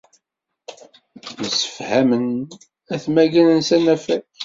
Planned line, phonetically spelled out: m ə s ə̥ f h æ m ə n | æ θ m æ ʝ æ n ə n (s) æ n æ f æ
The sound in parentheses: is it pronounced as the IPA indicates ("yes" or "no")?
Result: yes